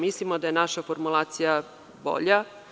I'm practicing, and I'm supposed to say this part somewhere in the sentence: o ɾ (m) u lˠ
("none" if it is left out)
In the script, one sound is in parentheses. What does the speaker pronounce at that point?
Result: m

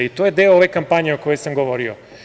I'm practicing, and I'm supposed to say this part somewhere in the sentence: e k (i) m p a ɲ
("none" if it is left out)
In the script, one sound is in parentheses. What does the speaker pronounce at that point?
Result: a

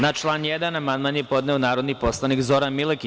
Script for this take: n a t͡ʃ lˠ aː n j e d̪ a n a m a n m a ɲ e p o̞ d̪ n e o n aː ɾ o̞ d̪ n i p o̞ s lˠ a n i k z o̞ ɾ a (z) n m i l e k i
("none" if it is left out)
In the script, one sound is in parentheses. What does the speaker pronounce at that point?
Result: none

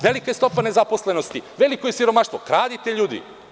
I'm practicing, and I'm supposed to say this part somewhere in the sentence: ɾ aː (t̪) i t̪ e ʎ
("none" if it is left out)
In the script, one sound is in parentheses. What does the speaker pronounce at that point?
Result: d̪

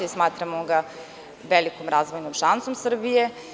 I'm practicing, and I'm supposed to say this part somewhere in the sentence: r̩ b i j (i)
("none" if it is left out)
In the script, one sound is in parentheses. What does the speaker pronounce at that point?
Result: e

